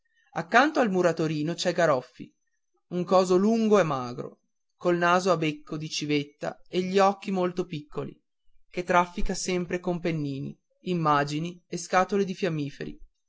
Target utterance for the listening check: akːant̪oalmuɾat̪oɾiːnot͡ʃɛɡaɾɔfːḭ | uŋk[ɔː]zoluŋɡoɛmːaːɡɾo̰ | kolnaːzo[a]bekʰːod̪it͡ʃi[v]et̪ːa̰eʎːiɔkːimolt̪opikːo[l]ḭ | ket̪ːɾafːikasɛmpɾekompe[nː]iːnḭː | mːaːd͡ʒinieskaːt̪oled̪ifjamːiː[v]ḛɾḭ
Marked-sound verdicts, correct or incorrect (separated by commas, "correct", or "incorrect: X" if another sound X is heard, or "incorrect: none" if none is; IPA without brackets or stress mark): correct, correct, correct, correct, correct, incorrect: f